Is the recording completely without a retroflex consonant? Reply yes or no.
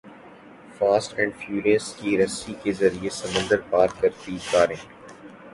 no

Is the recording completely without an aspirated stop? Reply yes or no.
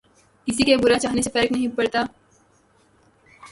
yes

